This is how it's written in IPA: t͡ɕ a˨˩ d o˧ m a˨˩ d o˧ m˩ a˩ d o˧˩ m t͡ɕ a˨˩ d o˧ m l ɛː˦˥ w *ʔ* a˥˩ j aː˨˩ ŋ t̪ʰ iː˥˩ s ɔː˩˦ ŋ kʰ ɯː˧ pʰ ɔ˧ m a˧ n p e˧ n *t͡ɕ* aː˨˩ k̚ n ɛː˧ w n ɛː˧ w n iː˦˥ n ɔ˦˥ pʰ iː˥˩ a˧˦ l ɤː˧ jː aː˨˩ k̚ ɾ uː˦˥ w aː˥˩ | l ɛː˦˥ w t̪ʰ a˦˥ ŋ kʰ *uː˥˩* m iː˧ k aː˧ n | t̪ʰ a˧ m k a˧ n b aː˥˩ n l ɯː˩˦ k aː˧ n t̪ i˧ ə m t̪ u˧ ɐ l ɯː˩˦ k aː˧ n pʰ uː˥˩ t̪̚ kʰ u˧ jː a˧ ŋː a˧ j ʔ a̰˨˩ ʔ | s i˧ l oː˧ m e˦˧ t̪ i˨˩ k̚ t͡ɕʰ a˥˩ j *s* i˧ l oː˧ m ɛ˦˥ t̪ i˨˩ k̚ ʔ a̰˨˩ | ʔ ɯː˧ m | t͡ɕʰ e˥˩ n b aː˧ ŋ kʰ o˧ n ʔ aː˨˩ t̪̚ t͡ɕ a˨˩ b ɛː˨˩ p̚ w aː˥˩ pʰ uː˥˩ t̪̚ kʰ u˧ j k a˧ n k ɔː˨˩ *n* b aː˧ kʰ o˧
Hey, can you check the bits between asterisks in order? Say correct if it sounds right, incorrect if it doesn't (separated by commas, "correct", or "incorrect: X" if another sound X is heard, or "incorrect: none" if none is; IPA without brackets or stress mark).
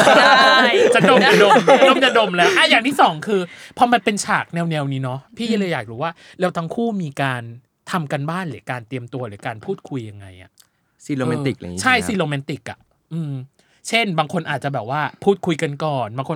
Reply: correct, incorrect: t͡ɕʰ, correct, correct, correct